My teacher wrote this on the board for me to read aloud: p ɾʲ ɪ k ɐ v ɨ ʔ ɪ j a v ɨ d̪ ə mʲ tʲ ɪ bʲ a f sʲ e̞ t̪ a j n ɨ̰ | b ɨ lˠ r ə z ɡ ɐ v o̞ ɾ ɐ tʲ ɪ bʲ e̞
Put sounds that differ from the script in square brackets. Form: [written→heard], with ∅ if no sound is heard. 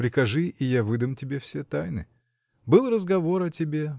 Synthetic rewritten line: p ɾʲ ɪ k ɐ [v→ʐ] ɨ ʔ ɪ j a v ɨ d̪ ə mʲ tʲ ɪ bʲ [a→e] f sʲ e̞ t̪ a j n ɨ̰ | b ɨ lˠ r ə z ɡ ɐ v o̞ ɾ ɐ tʲ ɪ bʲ e̞